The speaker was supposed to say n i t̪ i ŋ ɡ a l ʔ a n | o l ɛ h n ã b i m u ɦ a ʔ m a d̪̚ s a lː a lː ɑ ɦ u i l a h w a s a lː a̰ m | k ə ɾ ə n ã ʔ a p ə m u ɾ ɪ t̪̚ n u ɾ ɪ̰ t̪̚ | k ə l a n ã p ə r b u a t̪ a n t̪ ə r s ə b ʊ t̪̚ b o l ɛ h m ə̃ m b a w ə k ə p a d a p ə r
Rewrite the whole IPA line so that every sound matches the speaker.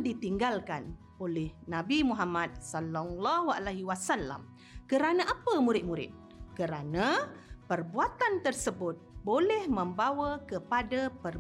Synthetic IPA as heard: d i t̪ i ŋ ɡ a l k a n | o l ɛ h n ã b i m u ɦ a m a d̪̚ s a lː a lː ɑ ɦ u a l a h w a s a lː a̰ m | k ə ɾ a n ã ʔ a p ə m u ɾ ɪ t̪̚ m u ɾ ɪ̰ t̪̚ | k ə ɾ a n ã p ə r b u a t̪ a n t̪ ə r s ə b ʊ t̪̚ b o l ɛ h m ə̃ m b a w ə k ə p a d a p ə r